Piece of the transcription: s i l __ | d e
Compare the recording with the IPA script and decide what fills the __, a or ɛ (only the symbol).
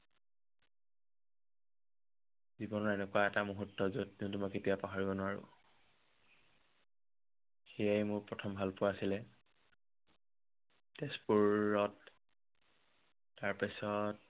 ɛ